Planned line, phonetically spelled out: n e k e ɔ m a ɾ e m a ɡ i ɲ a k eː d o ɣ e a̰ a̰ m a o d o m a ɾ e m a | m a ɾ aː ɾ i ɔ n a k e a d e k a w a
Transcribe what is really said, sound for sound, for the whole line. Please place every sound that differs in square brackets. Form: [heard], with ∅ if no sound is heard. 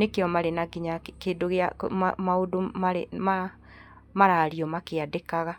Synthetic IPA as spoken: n e k e ɔ m a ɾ e [n] a ɡ i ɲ a k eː d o ɣ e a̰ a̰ m a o d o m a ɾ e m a | m a ɾ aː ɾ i ɔ [m] a k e a d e k a [ɣ] a